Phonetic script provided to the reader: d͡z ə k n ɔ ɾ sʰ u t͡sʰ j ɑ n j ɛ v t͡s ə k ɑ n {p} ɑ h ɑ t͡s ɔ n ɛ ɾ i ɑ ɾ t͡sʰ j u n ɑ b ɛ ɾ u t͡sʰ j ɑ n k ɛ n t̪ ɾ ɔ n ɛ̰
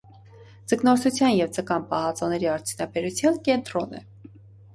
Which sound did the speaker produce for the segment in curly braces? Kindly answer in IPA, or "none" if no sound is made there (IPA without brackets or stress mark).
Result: p